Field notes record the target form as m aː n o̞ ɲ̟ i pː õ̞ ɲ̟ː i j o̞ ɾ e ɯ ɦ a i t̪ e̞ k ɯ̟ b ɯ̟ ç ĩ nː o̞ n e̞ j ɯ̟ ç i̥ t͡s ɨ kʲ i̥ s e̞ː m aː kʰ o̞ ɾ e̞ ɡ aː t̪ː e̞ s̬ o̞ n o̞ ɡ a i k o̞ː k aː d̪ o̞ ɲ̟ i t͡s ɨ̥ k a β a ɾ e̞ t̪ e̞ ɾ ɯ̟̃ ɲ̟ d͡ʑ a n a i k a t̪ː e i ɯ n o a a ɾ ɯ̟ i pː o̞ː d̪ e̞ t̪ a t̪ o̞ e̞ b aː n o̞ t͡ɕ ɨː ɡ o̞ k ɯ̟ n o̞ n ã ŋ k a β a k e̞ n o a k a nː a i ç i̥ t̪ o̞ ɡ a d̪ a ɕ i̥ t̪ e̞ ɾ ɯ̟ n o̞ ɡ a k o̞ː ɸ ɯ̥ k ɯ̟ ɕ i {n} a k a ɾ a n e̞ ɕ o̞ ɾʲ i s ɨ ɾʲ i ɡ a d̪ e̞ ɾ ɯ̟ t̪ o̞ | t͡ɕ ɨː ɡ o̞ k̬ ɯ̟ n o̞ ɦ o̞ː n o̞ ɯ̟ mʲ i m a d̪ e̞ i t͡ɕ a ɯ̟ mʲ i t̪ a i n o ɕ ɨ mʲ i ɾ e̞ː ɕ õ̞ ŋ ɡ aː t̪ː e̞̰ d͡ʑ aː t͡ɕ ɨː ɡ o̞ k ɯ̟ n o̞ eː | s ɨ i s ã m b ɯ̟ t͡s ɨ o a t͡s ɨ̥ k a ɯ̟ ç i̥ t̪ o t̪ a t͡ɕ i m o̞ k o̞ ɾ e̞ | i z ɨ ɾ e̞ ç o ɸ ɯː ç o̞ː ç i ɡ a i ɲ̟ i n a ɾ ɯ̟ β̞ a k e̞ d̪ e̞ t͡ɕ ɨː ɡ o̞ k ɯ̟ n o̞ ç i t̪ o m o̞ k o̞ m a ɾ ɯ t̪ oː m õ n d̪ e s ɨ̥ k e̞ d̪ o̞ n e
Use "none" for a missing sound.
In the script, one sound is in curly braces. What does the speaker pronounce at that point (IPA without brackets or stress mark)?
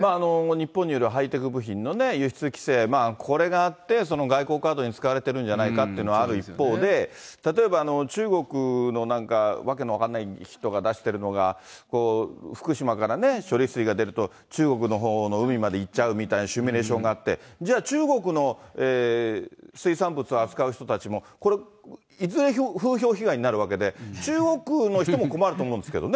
m